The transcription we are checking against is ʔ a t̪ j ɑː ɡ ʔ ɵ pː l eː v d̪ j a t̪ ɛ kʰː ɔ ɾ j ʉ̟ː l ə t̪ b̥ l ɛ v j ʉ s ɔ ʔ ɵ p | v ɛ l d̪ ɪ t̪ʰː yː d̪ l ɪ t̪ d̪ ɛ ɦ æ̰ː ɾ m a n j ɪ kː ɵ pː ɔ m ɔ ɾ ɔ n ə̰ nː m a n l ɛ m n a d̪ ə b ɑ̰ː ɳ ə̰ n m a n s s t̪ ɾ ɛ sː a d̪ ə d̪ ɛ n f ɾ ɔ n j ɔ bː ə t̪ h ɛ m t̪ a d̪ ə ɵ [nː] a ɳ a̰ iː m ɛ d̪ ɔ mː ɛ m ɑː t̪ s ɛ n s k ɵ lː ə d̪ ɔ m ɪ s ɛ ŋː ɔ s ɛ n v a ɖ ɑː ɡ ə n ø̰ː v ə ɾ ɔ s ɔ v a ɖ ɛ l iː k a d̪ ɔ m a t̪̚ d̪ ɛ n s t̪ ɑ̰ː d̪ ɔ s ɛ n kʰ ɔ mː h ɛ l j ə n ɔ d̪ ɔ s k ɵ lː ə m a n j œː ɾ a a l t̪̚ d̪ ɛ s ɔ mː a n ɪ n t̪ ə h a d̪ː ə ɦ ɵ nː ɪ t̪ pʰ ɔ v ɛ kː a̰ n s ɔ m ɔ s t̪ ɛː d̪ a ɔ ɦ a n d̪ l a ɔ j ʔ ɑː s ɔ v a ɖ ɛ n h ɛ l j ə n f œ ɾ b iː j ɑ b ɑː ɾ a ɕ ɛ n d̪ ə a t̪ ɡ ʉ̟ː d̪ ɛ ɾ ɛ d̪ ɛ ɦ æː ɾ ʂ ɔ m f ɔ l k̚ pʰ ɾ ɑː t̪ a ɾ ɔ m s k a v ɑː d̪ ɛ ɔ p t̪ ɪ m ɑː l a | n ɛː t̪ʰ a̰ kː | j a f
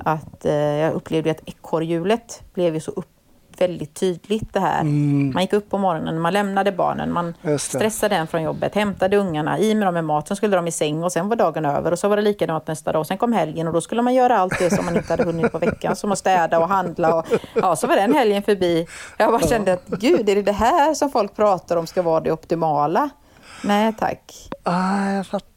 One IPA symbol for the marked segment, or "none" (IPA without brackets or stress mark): ŋː